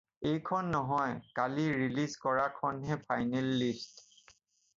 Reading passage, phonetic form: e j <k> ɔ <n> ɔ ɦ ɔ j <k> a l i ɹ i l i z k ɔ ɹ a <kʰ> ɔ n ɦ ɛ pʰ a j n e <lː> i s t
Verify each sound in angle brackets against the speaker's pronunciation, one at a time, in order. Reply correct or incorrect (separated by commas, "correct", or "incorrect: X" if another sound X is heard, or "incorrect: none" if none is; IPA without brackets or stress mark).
incorrect: kʰ, incorrect: nː, correct, correct, correct